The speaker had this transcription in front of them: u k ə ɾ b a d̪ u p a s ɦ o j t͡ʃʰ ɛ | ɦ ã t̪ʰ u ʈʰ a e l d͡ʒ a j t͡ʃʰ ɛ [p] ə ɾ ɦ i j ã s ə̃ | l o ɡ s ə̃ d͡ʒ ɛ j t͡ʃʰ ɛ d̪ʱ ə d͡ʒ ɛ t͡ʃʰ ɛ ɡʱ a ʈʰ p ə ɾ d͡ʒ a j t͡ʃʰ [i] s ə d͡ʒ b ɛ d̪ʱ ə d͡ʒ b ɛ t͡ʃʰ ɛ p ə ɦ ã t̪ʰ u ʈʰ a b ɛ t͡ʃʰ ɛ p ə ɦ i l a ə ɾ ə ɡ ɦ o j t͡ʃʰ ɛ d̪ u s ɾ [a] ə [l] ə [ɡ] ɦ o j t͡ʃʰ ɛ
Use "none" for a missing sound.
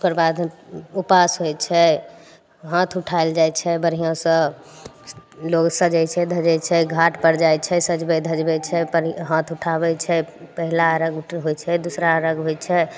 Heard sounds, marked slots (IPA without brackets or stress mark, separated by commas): b, ɛ, a, ɾ, ɡ